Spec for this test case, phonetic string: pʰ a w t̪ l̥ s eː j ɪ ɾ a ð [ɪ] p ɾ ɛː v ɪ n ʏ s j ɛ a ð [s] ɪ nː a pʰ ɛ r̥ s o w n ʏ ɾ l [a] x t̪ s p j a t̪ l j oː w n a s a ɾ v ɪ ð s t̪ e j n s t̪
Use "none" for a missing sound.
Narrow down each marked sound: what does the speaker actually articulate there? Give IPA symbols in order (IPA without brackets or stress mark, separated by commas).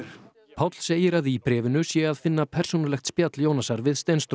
i, f, ɛ